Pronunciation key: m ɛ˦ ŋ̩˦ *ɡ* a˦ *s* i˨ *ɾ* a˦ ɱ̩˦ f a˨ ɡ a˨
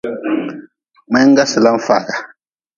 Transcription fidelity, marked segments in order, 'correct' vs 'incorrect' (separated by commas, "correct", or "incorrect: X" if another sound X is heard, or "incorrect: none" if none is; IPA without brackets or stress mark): correct, correct, incorrect: l